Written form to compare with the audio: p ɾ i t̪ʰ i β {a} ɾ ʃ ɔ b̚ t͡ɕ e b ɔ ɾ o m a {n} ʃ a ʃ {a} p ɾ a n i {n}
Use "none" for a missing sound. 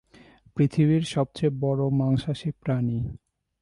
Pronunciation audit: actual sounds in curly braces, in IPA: i, ŋ, i, none

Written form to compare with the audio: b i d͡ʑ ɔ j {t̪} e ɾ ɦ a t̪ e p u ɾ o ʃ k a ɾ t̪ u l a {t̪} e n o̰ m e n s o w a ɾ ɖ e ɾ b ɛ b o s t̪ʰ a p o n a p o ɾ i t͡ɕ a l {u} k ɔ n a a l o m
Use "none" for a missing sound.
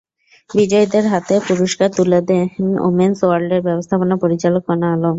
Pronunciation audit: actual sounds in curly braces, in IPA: d̪, d̪, o

